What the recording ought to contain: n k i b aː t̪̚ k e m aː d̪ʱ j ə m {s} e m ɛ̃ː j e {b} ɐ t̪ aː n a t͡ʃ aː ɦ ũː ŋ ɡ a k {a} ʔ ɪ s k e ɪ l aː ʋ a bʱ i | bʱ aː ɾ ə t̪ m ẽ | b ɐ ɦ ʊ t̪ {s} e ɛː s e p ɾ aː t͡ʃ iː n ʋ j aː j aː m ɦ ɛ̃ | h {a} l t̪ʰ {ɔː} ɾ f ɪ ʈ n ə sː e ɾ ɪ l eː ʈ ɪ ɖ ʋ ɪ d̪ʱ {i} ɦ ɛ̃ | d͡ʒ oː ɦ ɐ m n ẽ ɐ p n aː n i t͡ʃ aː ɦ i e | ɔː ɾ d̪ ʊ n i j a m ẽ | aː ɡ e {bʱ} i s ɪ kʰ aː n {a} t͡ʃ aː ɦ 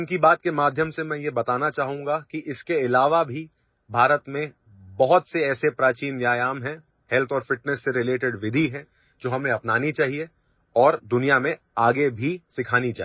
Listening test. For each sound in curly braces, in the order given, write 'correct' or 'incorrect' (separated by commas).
correct, correct, incorrect, correct, incorrect, correct, correct, correct, incorrect